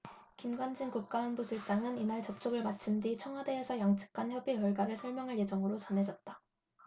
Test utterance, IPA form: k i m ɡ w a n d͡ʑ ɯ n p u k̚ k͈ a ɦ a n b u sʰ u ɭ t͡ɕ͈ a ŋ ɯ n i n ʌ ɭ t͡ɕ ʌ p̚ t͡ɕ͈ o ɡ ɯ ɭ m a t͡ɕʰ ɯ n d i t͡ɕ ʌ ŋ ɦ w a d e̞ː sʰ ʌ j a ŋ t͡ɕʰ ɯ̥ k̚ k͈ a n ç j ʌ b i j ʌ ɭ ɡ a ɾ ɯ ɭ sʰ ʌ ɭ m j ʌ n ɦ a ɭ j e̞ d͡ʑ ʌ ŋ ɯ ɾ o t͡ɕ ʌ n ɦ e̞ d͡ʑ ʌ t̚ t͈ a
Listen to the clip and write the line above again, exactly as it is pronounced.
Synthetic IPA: k i m ɡ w a n d͡ʑ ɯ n k u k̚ k͈ a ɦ a n b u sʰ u ɭ t͡ɕ͈ a ŋ ɯ n i n a ɭ t͡ɕ ʌ p̚ t͡ɕ͈ o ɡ ɯ ɭ m a t͡ɕʰ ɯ n d i t͡ɕʰ ʌ ŋ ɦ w a d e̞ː sʰ ʌ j a ŋ t͡ɕʰ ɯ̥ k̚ k͈ a n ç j ʌ b i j ʌ ɭ ɡ a ɾ ɯ ɭ sʰ ʌ ɭ m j ʌ ŋ ɦ a ɭ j e̞ d͡ʑ ʌ ŋ ɯ ɾ o t͡ɕ ʌ n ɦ e̞ d͡ʑ ʌ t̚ t͈ a